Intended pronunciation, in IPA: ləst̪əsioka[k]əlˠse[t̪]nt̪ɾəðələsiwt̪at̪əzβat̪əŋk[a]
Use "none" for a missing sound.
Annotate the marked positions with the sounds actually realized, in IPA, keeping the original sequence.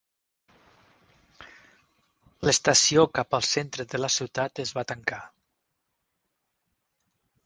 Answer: p, none, a

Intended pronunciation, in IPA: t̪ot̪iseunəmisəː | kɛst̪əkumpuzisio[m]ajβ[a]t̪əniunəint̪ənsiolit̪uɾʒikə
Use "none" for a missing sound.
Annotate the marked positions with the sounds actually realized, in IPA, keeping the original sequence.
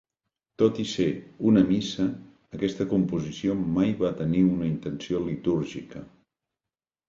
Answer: m, a

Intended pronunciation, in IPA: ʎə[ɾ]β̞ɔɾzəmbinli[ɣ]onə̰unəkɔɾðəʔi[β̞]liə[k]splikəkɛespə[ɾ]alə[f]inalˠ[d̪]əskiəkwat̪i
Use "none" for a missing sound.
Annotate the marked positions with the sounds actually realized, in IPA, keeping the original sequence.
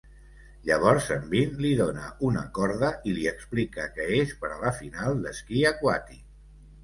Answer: none, ð, none, k, ɾ, f, d̪

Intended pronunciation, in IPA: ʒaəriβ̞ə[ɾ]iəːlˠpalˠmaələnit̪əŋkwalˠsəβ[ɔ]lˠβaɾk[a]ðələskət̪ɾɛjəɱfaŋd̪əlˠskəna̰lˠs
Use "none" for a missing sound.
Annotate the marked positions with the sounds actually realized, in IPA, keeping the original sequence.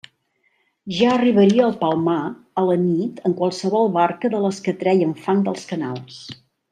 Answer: ɾ, ɔ, ə

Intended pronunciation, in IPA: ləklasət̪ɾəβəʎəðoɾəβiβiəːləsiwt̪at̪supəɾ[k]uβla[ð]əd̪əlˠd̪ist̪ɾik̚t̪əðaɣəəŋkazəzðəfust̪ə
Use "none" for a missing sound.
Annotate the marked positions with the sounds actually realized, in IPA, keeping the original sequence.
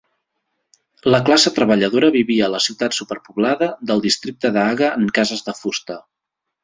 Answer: p, ð

